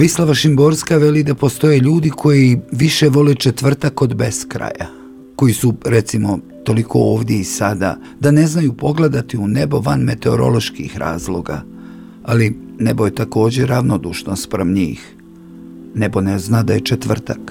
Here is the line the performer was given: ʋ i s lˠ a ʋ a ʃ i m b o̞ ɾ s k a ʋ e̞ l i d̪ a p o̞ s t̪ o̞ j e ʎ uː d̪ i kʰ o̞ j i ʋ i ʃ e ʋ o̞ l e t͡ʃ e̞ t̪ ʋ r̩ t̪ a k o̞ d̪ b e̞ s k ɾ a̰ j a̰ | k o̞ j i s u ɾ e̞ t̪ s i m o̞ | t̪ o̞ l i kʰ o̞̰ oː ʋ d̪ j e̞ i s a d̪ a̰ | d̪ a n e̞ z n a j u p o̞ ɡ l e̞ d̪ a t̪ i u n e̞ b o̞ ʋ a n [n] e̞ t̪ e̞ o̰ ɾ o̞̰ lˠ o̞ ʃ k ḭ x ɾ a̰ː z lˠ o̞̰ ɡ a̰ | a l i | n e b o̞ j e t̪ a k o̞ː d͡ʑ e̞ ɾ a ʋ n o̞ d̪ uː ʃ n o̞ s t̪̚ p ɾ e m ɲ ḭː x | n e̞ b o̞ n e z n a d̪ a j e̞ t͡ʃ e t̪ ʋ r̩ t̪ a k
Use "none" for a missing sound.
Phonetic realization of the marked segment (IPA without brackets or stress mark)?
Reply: m